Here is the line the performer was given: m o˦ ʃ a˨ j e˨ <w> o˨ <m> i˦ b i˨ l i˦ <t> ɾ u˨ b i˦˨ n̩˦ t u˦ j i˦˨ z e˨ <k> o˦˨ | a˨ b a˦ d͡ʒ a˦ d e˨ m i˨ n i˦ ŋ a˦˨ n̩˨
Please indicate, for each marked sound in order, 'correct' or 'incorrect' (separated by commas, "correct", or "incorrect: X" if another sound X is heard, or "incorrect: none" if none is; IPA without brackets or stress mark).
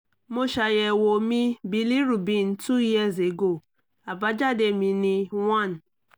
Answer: correct, correct, incorrect: none, incorrect: ɡ